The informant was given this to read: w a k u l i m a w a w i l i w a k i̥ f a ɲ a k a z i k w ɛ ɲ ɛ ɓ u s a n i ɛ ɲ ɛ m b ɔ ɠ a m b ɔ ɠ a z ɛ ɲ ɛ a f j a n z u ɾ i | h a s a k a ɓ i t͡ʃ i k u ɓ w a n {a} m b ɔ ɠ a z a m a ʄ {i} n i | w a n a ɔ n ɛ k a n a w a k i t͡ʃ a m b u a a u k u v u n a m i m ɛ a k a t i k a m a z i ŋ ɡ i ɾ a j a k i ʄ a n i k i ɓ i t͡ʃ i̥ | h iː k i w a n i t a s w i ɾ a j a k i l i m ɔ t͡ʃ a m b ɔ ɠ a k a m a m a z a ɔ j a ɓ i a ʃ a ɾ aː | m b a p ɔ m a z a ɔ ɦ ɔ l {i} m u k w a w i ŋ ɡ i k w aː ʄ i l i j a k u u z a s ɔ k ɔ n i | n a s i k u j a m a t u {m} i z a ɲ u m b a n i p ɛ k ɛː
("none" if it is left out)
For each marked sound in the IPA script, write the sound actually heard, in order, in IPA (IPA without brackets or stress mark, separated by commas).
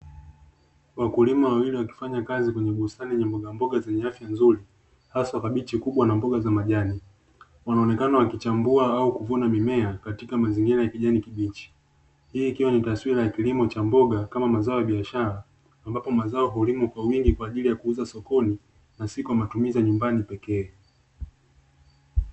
a, a, i, m